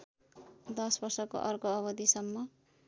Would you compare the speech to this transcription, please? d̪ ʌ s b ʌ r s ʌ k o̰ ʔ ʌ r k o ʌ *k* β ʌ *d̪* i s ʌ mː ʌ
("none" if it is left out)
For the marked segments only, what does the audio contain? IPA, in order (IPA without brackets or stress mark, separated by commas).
none, d̪